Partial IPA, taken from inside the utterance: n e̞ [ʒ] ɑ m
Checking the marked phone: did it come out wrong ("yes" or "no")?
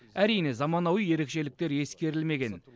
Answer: yes